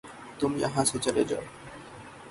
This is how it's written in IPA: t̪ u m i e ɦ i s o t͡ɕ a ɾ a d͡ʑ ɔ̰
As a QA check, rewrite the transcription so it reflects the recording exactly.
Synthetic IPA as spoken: t̪ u m i a ɦ a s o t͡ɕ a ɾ e d͡ʑ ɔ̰